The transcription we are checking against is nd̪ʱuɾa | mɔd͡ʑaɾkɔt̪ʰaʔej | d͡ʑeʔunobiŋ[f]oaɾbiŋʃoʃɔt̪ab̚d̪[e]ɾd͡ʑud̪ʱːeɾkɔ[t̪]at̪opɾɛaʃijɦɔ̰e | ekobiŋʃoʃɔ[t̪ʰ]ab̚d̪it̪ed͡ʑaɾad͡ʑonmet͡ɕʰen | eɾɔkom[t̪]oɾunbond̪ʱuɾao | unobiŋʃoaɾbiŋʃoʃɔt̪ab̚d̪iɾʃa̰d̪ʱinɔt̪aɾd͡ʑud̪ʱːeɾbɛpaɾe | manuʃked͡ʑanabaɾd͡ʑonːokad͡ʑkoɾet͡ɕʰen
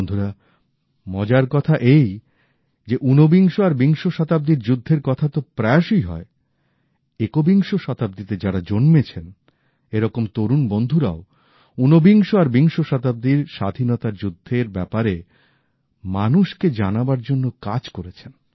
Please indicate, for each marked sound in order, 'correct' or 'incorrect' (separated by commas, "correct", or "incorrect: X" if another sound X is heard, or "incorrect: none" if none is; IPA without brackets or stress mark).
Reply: incorrect: ʃ, incorrect: i, incorrect: t̪ʰ, incorrect: t̪, correct